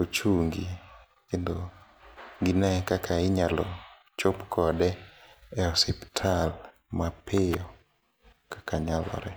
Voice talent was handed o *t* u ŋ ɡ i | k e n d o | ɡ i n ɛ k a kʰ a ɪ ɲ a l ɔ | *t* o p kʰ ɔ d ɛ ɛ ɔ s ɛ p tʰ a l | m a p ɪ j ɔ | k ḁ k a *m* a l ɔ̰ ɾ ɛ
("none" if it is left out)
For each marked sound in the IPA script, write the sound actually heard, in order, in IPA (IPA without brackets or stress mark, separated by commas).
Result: t͡ʃ, t͡ʃ, ɲ